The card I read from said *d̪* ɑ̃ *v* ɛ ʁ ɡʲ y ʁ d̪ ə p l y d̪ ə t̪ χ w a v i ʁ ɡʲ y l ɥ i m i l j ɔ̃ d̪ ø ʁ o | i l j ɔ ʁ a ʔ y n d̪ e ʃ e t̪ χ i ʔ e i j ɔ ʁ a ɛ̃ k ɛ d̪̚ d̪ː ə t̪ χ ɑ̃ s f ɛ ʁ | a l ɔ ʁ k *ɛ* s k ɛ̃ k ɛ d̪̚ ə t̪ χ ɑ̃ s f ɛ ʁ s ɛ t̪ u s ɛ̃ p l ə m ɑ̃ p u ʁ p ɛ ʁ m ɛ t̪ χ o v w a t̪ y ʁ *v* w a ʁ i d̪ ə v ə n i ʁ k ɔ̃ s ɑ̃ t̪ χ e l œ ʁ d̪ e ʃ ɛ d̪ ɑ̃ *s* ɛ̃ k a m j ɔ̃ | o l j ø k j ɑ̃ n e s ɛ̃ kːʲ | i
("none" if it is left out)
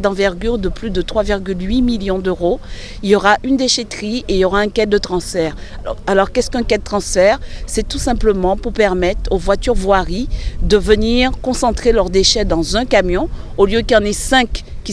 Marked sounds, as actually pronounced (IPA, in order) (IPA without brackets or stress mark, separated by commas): d̪, v, ɛ, v, z